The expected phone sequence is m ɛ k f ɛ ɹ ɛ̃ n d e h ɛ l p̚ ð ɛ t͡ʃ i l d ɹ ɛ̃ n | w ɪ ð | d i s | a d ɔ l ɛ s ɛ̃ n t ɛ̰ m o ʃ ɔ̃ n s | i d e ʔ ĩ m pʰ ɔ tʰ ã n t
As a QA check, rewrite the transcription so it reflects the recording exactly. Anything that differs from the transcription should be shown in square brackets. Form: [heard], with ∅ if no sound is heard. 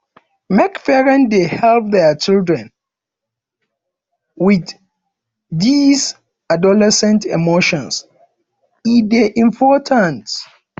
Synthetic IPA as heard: m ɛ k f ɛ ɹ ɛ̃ n d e h ɛ l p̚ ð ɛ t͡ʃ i l d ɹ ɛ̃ n | w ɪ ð | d i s | a d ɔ l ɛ s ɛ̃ n t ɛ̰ m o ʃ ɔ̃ n s | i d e ʔ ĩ m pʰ ɔ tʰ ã n t

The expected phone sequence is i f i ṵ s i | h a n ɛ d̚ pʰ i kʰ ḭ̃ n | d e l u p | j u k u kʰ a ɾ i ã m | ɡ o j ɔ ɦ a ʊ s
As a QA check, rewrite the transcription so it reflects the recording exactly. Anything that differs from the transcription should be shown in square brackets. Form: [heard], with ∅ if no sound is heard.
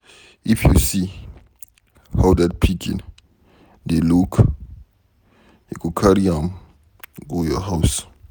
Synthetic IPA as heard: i f [j] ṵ s i | h a [d] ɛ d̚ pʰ i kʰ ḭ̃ n | d e l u [k] | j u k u kʰ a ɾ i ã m | ɡ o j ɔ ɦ a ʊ s

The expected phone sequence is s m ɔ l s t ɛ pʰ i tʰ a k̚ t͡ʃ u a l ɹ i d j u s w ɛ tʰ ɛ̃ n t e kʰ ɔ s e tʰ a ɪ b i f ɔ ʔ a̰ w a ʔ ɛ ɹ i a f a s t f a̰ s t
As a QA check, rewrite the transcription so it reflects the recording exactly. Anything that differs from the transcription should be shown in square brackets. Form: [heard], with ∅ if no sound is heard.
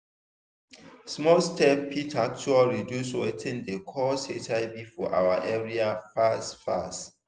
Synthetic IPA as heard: s m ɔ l s t ɛ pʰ i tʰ a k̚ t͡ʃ u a l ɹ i d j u s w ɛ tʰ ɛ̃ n [d] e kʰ ɔ s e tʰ a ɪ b i f ɔ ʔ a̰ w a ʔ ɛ ɹ i a f a s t f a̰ s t

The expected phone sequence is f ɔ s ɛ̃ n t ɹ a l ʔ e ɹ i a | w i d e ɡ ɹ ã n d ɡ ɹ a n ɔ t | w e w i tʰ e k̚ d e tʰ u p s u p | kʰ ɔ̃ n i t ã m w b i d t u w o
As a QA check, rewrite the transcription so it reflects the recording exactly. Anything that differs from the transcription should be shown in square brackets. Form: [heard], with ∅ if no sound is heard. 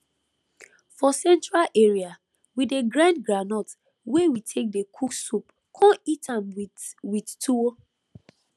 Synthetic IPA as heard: f ɔ s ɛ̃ n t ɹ a l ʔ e ɹ i a | w i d e ɡ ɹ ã n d ɡ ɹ a n ɔ t | w e w i tʰ e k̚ d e [kʰ] u [k] s u p | kʰ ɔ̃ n i t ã m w [w] i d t u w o

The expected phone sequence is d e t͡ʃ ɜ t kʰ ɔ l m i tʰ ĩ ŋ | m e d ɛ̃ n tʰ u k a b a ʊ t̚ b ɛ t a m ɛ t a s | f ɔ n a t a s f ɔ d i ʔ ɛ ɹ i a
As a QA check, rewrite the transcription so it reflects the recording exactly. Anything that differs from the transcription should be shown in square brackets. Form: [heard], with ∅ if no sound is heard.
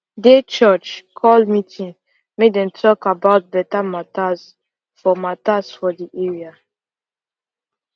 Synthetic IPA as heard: d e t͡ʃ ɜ [t͡ʃ] kʰ ɔ l m i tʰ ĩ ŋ | m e d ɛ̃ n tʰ [ɔ] k a b a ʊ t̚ b ɛ t a m [a] t a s | f ɔ [m] a t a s f ɔ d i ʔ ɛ ɹ i a

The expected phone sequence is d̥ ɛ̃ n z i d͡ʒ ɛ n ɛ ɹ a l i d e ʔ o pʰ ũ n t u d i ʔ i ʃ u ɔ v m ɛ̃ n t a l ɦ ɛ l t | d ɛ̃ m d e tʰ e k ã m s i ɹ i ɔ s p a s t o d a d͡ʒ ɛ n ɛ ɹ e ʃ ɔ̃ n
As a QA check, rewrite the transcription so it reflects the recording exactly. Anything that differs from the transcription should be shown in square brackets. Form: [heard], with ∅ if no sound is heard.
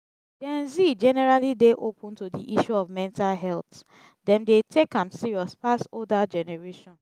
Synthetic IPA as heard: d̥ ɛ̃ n z i d͡ʒ ɛ n ɛ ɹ a l i d e ʔ o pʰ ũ n t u d i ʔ i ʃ u ɔ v m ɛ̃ n t a l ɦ ɛ l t | d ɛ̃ m d e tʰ e k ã m s i ɹ i ɔ s p a s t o d a d͡ʒ ɛ n ɛ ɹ e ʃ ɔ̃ n

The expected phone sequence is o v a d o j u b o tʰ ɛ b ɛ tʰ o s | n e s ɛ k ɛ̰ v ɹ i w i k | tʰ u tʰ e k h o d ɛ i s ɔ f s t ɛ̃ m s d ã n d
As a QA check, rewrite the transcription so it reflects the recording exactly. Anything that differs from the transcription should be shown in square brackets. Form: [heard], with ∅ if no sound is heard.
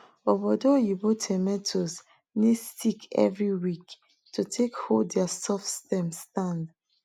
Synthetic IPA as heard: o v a d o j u b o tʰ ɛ [m] ɛ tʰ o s | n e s [i] k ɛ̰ v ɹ i w i k | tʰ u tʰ e k h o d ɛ [a] s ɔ f s t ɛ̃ m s [t] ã n d

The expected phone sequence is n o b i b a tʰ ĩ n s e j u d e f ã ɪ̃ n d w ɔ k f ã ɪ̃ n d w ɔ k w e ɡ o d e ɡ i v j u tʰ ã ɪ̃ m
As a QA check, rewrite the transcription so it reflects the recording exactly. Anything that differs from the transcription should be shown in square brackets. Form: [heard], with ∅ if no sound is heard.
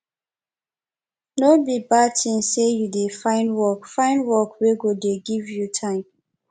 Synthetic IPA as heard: n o b i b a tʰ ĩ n s e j u d e f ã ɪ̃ n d w ɔ k f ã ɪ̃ n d w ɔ k w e ɡ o d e ɡ i v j u tʰ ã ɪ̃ m

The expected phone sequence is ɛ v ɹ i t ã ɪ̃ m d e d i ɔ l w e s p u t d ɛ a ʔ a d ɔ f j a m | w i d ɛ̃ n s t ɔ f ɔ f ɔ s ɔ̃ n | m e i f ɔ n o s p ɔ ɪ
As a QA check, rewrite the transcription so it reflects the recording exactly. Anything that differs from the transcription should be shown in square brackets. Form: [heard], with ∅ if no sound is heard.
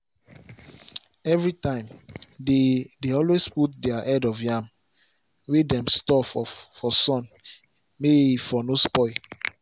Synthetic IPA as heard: ɛ v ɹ i t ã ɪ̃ m d e d [e] ɔ l w e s p u t d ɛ a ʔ [ɛ] d ɔ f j a m | w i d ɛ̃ [m] s t ɔ f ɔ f ɔ s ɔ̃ n | m e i f ɔ n o s p ɔ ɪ

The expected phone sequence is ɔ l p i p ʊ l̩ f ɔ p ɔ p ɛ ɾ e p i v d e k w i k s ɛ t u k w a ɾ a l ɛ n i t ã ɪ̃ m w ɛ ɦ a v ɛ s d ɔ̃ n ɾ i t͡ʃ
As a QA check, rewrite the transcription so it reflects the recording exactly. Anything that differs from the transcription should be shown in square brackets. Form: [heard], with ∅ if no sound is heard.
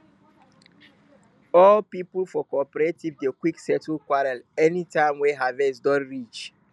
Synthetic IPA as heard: ɔ l p i p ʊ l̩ f ɔ [k] ɔ p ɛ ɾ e [t] i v d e k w i k s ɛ t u k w a ɾ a l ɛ n i t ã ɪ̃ m w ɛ ɦ a v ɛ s d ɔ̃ n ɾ i t͡ʃ

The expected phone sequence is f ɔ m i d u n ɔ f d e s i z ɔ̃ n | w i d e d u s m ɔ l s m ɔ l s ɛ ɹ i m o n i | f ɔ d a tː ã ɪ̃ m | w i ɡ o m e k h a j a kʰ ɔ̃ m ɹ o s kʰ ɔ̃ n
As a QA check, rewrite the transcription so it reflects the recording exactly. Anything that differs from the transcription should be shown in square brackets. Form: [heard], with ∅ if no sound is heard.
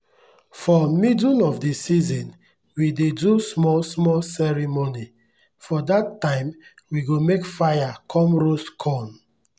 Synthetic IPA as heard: f ɔ m i d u n ɔ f d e s i z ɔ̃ n | w i d e d u s m ɔ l s m ɔ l s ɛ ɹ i m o n i | f ɔ d a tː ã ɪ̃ m | w i ɡ o m e k [f] a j a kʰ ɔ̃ m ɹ o s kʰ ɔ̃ n

